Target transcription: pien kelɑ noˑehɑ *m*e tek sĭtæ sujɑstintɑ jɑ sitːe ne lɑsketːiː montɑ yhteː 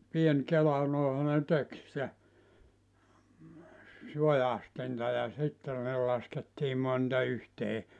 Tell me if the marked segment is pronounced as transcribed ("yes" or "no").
no